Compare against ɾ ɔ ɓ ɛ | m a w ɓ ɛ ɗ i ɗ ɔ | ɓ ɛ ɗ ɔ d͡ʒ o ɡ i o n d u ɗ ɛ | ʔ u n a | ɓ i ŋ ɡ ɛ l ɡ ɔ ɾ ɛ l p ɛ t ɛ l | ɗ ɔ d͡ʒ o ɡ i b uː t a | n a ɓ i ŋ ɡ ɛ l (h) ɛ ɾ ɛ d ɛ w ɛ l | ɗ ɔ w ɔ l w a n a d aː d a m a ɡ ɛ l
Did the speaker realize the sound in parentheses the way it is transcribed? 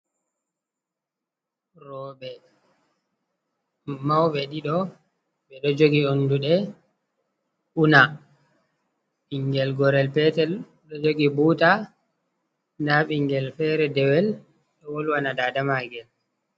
no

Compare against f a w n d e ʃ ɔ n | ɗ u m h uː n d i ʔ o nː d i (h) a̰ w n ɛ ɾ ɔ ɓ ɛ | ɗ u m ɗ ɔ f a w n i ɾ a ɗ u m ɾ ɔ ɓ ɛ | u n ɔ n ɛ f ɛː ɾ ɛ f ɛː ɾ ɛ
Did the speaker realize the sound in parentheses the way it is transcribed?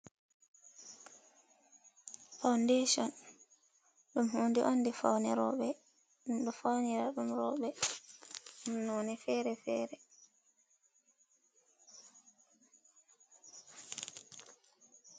no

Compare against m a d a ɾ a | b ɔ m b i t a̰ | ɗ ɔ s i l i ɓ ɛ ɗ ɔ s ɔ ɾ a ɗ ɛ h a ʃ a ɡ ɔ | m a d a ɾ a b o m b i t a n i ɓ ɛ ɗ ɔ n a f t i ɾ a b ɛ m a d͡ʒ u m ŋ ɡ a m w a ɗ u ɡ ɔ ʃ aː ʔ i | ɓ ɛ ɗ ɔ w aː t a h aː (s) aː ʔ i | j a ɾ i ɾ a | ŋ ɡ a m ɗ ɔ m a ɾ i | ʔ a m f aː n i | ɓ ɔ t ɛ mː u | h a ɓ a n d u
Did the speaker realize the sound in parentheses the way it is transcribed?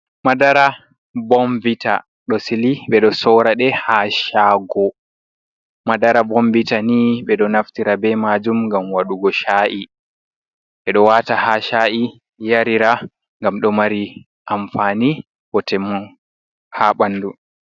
no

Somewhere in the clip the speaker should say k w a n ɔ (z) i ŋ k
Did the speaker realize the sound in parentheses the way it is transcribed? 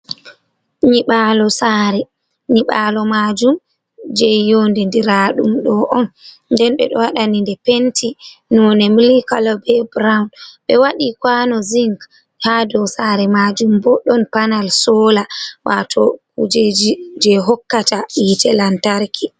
yes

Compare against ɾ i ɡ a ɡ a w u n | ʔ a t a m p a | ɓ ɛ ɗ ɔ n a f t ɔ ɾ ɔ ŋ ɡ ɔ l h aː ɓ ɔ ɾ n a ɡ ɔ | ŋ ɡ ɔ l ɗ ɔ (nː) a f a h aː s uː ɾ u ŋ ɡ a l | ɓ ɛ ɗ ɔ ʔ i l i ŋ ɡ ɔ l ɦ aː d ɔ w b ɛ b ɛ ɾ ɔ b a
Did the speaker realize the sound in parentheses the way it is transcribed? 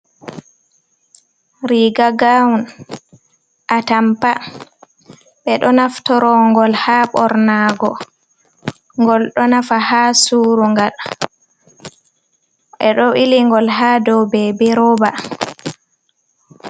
no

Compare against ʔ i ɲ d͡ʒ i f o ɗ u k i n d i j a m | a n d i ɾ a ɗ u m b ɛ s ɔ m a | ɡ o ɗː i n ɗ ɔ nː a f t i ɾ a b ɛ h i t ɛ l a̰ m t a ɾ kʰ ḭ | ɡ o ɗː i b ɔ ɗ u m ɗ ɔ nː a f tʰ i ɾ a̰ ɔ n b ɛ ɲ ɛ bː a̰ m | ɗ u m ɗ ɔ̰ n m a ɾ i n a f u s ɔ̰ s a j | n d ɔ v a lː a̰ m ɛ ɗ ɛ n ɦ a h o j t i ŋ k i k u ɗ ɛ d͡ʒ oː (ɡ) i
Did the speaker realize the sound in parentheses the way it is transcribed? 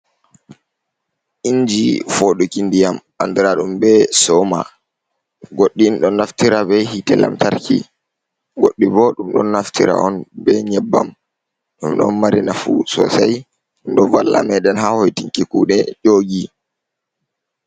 yes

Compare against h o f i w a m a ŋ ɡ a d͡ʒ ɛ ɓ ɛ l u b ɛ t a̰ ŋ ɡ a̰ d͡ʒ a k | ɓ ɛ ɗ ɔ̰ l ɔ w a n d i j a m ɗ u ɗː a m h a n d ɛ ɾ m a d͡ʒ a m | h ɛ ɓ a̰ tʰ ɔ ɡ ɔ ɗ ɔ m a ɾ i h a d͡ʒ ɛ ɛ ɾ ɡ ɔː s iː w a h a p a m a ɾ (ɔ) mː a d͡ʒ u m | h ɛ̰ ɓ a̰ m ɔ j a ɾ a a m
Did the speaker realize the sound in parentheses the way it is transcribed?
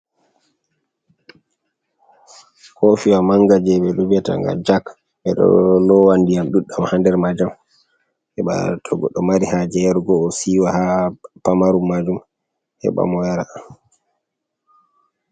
no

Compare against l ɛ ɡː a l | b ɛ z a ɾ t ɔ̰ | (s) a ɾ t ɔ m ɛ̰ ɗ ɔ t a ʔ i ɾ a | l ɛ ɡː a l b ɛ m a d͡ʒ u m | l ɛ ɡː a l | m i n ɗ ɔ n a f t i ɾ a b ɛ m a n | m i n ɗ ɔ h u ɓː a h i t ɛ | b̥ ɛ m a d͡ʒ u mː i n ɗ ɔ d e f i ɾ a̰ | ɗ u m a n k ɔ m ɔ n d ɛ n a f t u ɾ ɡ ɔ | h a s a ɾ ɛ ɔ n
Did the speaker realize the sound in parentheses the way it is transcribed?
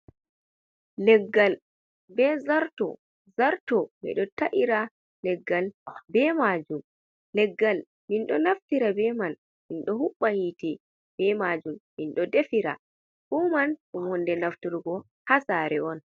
no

